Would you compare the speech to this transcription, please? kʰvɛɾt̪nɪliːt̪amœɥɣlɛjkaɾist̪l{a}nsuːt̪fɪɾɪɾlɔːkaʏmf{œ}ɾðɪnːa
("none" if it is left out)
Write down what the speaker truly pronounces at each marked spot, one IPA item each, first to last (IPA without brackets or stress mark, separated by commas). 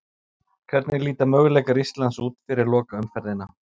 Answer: a, ɛ